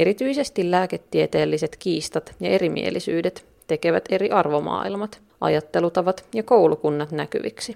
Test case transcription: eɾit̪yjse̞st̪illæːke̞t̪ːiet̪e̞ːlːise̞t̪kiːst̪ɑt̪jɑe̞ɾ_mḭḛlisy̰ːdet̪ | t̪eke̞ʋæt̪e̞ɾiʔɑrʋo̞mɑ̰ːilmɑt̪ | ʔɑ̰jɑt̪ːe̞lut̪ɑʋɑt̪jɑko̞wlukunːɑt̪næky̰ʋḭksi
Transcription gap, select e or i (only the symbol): i